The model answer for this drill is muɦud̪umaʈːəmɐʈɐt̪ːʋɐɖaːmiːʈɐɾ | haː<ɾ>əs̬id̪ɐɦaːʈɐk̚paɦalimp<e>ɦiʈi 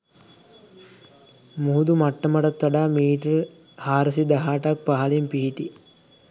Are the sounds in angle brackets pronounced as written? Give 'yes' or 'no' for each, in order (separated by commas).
yes, no